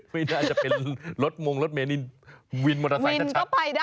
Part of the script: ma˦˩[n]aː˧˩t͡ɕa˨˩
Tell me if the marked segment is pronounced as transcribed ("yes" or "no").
yes